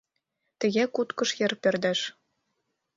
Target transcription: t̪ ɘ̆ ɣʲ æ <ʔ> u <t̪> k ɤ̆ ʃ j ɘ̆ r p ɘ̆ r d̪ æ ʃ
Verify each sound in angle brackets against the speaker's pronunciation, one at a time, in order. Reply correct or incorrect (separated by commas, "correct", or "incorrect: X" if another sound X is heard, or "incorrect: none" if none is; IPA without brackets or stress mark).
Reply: incorrect: k, correct